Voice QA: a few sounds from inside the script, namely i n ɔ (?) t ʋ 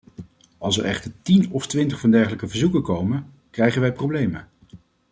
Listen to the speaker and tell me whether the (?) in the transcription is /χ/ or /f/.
f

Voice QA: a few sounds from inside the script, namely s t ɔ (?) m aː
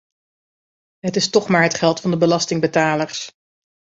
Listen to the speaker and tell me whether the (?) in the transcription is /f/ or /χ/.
χ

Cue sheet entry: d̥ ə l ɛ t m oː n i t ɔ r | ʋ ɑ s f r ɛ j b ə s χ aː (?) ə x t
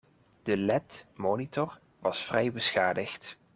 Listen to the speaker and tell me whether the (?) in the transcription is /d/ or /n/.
d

